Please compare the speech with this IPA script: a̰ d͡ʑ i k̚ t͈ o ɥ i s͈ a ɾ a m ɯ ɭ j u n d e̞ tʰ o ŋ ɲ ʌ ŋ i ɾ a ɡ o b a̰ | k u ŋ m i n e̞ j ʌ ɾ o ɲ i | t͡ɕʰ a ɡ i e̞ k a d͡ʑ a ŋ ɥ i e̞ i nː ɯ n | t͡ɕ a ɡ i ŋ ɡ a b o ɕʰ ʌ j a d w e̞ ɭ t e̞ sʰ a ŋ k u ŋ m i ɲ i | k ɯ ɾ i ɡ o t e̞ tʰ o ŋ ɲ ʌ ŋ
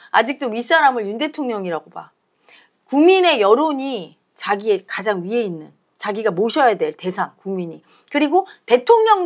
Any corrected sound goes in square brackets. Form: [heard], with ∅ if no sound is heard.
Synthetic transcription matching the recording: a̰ d͡ʑ i k̚ t͈ o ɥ i s͈ a ɾ a m ɯ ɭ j u n d e̞ tʰ o ŋ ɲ ʌ ŋ i ɾ a ɡ o b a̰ | k u ŋ m i n e̞ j ʌ ɾ o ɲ i | [t͡ɕ] a ɡ i e̞ k a d͡ʑ a ŋ ɥ i e̞ i nː ɯ n | t͡ɕ a ɡ i [∅] ɡ a [m] o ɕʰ ʌ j a d w e̞ ɭ t e̞ sʰ a ŋ k u ŋ m i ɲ i | k ɯ ɾ i ɡ o t e̞ tʰ o ŋ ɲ ʌ ŋ